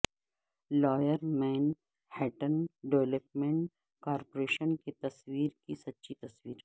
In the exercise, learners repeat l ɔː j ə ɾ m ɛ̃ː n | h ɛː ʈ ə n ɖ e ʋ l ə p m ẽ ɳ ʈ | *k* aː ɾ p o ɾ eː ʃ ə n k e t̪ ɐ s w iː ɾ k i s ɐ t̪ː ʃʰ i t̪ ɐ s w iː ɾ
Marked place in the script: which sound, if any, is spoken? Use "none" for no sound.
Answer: k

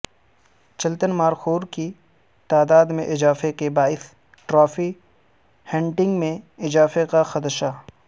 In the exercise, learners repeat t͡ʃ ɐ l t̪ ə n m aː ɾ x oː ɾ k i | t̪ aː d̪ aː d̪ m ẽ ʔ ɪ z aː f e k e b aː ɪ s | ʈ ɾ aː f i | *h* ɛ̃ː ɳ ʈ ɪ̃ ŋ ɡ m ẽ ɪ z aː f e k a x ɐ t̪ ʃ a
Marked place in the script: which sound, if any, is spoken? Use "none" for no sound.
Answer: h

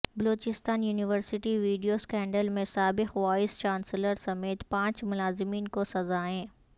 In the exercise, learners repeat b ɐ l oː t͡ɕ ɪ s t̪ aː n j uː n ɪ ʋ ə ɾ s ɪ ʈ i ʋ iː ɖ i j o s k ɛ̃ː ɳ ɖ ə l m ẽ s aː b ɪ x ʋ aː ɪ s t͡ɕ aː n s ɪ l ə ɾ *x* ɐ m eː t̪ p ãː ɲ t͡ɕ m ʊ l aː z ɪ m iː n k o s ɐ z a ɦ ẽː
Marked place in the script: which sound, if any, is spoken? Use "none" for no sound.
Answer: s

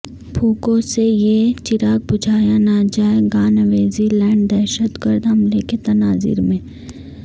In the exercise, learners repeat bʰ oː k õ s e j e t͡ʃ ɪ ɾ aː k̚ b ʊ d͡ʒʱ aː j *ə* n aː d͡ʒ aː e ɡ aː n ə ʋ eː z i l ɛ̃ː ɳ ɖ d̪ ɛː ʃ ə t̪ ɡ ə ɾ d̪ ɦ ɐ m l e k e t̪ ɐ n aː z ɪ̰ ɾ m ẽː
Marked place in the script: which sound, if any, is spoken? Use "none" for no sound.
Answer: a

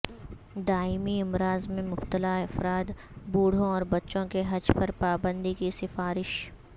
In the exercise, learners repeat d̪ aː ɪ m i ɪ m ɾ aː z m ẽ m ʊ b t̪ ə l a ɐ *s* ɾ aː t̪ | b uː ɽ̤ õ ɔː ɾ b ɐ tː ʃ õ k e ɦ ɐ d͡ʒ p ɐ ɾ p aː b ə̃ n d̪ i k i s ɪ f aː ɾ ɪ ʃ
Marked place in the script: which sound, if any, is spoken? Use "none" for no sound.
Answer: f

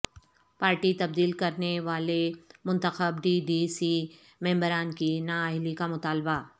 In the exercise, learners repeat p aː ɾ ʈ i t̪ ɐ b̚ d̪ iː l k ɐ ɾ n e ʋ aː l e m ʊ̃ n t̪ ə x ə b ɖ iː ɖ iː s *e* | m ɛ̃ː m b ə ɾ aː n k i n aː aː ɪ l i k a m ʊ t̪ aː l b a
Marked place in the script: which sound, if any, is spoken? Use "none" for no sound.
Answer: i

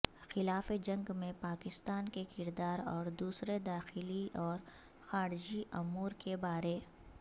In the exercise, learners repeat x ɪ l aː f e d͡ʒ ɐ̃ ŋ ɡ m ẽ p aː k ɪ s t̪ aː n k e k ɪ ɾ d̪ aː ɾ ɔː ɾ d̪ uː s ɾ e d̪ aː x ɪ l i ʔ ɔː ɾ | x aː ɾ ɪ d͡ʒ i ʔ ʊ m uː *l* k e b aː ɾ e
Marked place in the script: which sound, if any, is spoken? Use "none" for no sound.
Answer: ɾ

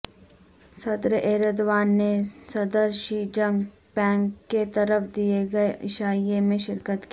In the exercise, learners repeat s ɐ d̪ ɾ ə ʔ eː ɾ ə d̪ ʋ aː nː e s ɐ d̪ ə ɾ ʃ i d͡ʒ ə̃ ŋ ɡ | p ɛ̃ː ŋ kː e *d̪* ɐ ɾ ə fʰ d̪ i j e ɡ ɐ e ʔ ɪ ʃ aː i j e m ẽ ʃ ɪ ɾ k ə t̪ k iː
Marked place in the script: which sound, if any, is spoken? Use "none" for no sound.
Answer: t̪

